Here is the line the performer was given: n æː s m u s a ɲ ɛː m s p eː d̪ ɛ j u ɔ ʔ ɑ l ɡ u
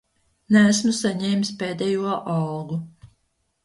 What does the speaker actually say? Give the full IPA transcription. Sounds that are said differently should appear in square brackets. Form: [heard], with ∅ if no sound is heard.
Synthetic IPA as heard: n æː s m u s a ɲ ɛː m s p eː d̪ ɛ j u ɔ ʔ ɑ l ɡ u

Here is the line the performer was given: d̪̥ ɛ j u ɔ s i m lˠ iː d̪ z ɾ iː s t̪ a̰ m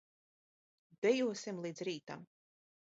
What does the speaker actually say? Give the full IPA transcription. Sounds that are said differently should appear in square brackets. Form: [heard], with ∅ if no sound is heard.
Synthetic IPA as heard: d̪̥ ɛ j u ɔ s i m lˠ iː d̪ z ɾ iː [∅] t̪ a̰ m

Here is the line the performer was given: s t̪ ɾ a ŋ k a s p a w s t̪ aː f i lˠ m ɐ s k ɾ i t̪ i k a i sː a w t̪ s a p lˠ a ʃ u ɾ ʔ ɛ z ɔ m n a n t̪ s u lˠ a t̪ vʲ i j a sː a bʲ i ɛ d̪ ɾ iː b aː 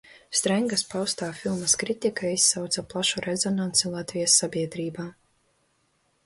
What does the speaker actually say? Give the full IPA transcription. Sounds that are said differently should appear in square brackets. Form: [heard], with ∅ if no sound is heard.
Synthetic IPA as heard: s t̪ ɾ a ŋ [ɡ] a s p a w s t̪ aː f i lˠ m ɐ s k ɾ i t̪ i k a i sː a w t̪ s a p lˠ a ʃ u ɾ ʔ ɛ z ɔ [∅] n a n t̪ s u lˠ a t̪ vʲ i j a sː a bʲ i ɛ d̪ ɾ iː b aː

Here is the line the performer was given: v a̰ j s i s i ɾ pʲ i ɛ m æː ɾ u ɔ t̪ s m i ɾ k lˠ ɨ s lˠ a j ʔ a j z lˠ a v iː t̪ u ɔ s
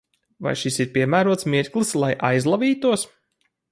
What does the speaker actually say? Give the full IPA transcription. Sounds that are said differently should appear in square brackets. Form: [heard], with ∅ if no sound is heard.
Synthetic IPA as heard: v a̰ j [ʃ] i s i ɾ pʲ i ɛ m æː ɾ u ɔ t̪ s m i ɾ k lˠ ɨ s lˠ a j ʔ a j z lˠ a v iː t̪ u ɔ s

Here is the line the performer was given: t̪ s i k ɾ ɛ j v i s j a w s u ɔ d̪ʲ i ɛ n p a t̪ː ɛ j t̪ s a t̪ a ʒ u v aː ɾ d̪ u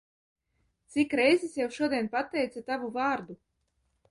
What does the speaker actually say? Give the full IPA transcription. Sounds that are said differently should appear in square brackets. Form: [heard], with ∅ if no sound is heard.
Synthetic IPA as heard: t̪ s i k ɾ ɛ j [z] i s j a w [ʃ] u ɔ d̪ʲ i ɛ n p a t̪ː ɛ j t̪ s a t̪ a [v] u v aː ɾ d̪ u

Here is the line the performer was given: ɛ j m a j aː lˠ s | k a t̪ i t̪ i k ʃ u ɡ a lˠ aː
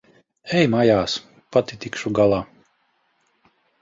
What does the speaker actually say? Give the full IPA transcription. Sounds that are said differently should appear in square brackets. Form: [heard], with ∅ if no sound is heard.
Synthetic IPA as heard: ɛ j m a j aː [∅] s | [p] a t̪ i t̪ i k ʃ u ɡ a lˠ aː

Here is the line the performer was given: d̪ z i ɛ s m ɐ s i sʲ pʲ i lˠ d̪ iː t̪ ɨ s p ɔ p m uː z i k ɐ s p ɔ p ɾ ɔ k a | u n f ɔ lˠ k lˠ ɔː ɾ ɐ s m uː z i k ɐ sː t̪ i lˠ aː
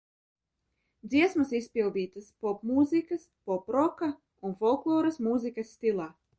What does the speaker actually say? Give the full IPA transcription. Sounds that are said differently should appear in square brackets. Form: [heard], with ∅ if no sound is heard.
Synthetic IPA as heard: d̪ z i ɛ s m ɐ s i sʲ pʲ i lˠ d̪ iː t̪ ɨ s p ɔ p m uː z i k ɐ s p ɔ p ɾ ɔ k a | u n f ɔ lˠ k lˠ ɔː ɾ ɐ s m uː z i k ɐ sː t̪ i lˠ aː

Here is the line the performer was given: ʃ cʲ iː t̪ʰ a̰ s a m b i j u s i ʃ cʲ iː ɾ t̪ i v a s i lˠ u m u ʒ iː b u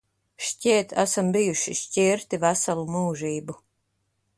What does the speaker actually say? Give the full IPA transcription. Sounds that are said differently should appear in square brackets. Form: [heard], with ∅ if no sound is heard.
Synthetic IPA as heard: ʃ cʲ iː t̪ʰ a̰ s a m b i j u [ʃ] i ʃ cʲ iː ɾ t̪ i v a s [a] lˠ u m [uː] ʒ iː b u

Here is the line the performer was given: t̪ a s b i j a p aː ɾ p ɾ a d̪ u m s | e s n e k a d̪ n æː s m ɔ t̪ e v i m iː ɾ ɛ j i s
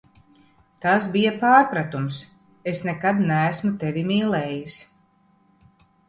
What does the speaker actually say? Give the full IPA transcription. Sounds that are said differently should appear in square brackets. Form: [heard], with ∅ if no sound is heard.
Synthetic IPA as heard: t̪ a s b i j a p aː ɾ p ɾ a [t̪] u m s | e s n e k a d̪ n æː s m [u] t̪ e v i m iː [l] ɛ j i s

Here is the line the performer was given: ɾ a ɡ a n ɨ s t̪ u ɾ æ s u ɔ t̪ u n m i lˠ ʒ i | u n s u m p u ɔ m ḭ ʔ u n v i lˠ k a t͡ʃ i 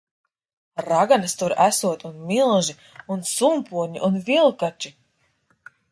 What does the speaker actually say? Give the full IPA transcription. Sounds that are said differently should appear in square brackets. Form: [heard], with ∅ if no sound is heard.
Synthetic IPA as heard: ɾ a ɡ a n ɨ s t̪ u ɾ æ s u ɔ t̪ u n m i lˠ ʒ i | u n s u m p u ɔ [ɲ] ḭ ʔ u n v i lˠ k a t͡ʃ i

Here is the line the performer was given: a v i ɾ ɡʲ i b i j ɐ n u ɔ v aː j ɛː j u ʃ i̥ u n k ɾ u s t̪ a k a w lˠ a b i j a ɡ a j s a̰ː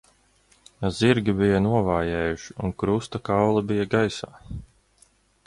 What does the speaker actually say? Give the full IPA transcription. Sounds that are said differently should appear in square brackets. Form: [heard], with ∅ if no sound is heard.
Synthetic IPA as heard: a [z] i ɾ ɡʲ i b i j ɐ n u ɔ v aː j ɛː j u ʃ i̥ u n k ɾ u s t̪ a k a w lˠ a b i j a ɡ a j s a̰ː

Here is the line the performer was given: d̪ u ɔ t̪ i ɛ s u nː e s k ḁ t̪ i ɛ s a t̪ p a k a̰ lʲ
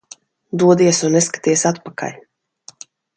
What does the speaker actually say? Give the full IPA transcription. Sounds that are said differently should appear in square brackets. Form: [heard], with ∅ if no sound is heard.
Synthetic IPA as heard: d̪ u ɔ [d̪] i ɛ s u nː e s k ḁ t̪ i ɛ s a t̪ p a k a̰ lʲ

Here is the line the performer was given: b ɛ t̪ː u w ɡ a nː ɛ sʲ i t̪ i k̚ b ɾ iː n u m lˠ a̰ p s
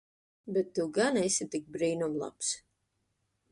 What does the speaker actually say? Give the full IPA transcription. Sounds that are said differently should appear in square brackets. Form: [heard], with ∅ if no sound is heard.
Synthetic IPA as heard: b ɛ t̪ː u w ɡ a [n] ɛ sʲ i t̪ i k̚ b ɾ iː n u m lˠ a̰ p s

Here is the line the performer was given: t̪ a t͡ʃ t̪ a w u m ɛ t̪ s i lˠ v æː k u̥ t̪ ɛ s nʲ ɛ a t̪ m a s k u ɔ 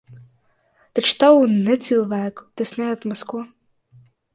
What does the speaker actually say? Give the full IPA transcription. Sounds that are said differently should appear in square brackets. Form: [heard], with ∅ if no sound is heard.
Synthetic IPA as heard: t̪ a t͡ʃ t̪ a w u [n] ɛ t̪ s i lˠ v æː k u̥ t̪ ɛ s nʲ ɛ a t̪ m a s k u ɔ

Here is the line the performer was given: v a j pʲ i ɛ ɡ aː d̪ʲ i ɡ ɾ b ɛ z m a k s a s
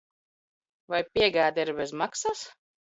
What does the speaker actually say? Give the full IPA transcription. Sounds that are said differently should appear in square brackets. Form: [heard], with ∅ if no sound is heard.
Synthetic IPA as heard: v a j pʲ i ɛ ɡ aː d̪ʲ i [∅] ɾ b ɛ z m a k s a s

